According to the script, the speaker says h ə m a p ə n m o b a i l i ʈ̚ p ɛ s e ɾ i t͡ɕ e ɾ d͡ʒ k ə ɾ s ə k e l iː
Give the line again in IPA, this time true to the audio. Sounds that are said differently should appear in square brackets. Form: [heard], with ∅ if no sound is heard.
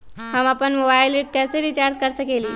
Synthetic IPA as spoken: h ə m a p ə n m o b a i l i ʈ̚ [k] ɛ s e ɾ i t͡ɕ [a] ɾ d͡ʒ k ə ɾ s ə k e l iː